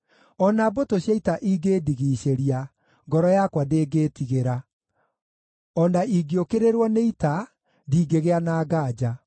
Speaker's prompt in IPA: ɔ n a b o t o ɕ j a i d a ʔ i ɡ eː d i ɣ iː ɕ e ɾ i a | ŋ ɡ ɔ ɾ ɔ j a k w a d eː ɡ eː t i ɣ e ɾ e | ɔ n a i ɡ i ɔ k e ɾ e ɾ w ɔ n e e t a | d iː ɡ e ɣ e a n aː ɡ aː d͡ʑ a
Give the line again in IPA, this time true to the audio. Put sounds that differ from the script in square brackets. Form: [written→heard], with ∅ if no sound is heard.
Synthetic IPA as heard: ɔ n a b o t o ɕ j a i [d→t] a ʔ i ɡ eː d i ɣ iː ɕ e ɾ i a | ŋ ɡ ɔ ɾ ɔ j a k w a d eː ɡ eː t i ɣ e ɾ [e→a] | ɔ n a i ɡ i [ɔ→o] k e ɾ e ɾ w ɔ n e [e→i] t a | d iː ɡ e ɣ e a n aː ɡ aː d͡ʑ a